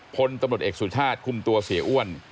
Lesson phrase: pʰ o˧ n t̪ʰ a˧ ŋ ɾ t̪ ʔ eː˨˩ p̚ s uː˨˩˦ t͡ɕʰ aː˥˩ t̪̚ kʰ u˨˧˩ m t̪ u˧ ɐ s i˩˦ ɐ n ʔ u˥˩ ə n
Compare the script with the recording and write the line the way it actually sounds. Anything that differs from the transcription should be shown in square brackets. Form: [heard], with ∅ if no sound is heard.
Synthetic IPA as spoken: pʰ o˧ n [t̪] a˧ [m] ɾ t̪ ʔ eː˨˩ [k̚] s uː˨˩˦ t͡ɕʰ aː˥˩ t̪̚ kʰ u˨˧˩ m t̪ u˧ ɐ s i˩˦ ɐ [∅] ʔ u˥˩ ə n